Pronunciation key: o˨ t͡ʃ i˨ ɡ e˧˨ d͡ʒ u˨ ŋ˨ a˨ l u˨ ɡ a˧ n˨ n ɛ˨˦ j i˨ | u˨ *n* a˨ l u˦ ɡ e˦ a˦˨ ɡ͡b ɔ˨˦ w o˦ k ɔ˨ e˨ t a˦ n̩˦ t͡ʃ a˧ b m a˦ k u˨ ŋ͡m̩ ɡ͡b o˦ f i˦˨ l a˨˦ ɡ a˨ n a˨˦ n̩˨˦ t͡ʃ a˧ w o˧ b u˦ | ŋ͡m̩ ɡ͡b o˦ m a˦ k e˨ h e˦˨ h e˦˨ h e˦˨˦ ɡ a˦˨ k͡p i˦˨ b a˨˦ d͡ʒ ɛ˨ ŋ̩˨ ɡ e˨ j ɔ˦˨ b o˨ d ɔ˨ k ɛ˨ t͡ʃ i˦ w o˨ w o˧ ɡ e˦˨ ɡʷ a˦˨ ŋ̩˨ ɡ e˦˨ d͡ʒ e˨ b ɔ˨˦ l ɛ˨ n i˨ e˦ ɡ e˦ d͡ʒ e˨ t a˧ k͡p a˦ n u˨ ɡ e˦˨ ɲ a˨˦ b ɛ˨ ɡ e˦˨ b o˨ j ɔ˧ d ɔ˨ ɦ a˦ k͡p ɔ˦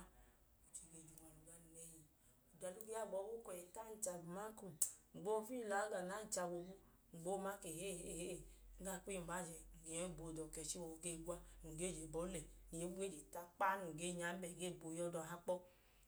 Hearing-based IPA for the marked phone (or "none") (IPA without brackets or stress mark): d